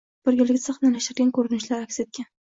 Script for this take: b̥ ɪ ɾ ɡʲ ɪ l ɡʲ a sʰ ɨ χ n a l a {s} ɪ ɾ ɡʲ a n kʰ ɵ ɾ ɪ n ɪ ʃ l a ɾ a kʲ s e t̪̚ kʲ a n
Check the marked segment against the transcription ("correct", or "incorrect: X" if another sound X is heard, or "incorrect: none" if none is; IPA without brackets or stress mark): incorrect: ʃ